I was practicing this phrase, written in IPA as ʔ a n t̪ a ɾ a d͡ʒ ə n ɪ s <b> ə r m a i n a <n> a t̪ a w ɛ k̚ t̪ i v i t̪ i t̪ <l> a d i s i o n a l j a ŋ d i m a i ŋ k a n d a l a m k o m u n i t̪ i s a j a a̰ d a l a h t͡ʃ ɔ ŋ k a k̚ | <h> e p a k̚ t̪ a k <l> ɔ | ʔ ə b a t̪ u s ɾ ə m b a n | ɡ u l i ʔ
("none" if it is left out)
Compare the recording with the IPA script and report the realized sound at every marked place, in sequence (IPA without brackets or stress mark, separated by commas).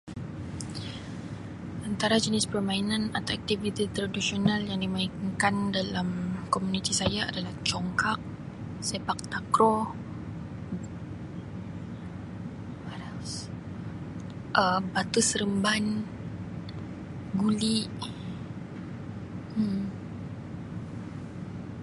p, n, ɾ, s, ɾ